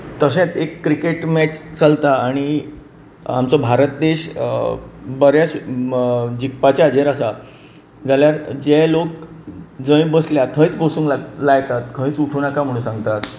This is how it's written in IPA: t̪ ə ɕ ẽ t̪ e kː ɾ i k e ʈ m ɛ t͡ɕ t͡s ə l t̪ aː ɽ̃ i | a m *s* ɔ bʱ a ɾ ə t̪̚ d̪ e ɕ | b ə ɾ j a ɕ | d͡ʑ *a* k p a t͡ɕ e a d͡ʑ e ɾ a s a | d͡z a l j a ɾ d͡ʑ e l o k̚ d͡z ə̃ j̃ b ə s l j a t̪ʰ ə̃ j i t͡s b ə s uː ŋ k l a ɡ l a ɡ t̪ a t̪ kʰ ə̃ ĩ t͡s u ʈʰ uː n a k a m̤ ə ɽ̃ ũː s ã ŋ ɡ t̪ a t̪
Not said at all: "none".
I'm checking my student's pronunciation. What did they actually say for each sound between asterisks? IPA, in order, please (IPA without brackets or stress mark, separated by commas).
t͡s, i